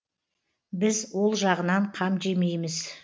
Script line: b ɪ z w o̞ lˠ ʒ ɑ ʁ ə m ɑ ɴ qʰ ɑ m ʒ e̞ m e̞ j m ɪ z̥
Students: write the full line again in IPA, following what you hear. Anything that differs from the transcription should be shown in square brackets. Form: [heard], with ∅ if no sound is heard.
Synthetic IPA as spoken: b ɪ z w o̞ lˠ ʒ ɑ ʁ ə [n] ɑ ɴ qʰ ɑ m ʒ e̞ m e̞ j m ɪ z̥